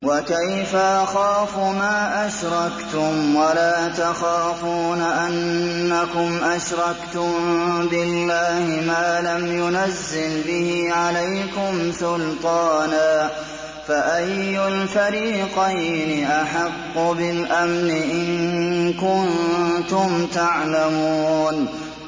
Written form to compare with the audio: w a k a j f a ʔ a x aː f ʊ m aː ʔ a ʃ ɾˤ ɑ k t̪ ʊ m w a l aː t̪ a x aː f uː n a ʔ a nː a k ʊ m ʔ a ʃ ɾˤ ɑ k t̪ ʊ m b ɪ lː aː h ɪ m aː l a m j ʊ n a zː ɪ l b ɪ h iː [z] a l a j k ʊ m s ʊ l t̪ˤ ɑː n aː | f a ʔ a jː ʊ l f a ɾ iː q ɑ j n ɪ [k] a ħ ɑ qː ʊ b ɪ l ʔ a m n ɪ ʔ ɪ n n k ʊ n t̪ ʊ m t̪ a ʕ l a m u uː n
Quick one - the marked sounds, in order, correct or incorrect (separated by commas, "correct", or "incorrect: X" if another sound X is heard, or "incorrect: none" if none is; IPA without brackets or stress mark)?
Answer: incorrect: ʕ, incorrect: ʔ